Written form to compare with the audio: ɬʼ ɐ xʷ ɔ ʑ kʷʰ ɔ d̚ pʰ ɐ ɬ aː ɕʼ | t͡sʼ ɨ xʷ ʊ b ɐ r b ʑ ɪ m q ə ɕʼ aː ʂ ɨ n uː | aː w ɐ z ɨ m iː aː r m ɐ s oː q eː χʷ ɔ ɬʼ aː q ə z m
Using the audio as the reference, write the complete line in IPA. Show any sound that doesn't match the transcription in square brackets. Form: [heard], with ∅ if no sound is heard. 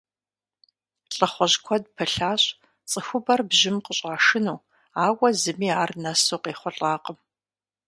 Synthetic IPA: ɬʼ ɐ [χʷ] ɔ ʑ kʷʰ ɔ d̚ pʰ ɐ ɬ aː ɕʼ | t͡sʼ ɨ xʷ ʊ b ɐ r b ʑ ɪ m q ə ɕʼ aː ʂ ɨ n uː | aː w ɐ z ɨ m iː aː r [n] ɐ s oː q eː χʷ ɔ ɬʼ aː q ə [∅] m